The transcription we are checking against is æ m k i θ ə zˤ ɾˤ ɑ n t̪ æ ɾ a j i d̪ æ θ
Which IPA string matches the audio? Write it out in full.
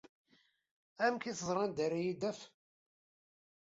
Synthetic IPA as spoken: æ m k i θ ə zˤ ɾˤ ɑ n d̪ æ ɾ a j i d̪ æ f